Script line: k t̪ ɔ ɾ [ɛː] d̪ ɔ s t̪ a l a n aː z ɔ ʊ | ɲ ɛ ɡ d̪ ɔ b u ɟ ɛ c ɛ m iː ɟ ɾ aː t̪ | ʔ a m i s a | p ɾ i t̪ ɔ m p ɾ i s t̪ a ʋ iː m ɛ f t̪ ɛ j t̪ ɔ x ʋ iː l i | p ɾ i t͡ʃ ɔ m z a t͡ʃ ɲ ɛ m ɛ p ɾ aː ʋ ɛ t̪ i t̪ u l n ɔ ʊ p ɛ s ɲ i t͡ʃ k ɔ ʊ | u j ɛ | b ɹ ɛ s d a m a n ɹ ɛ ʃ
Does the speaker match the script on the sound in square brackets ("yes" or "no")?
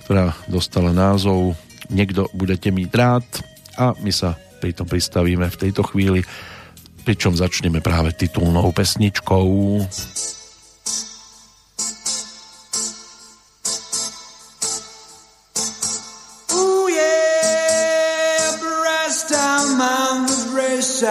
no